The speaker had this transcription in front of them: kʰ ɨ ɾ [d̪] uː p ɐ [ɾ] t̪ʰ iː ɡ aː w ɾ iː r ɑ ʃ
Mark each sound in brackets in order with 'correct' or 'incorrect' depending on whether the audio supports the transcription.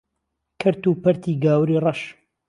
incorrect, correct

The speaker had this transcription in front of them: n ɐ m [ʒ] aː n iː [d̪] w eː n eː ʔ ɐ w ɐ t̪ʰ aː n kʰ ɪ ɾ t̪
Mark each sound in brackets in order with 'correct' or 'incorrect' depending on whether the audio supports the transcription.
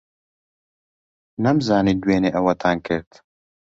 incorrect, correct

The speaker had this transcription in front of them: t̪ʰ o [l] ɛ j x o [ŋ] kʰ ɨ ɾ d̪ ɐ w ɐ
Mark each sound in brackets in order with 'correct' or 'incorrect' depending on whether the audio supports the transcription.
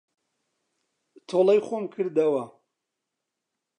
correct, incorrect

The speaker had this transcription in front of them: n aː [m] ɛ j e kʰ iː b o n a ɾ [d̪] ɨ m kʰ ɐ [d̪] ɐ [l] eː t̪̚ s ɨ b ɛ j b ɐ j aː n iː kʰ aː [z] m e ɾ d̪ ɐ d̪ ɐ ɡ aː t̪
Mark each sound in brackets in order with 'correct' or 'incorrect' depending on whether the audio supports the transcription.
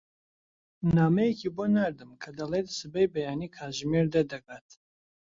correct, correct, correct, correct, incorrect

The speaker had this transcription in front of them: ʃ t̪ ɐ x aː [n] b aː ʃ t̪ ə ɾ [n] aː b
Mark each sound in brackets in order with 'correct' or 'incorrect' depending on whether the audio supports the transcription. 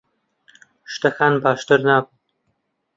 correct, correct

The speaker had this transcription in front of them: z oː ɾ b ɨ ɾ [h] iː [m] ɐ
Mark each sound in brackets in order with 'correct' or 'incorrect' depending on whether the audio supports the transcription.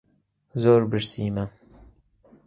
incorrect, correct

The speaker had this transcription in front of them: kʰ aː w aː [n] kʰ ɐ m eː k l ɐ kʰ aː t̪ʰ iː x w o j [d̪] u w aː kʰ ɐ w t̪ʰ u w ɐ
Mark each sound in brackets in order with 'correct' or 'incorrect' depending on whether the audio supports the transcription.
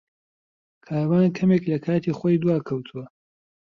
correct, correct

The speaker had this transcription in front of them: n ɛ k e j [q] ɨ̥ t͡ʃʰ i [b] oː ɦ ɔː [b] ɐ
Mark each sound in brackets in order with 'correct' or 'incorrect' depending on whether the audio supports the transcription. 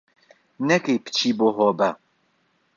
incorrect, correct, correct

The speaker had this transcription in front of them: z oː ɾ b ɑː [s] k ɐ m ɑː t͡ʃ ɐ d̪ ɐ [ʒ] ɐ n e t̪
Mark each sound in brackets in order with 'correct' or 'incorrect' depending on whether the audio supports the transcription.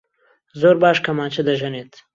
incorrect, correct

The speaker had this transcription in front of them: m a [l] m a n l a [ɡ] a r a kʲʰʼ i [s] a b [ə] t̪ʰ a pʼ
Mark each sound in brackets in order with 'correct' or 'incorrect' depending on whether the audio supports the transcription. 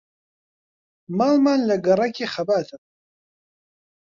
correct, correct, incorrect, incorrect

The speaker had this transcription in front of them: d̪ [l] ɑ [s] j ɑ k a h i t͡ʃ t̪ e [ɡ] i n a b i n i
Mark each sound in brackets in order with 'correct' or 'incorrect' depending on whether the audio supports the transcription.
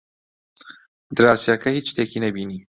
incorrect, correct, incorrect

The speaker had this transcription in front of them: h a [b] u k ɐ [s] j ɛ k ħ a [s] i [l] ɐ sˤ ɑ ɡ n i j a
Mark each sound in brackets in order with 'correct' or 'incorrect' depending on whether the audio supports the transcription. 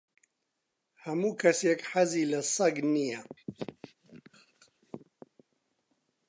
incorrect, correct, incorrect, correct

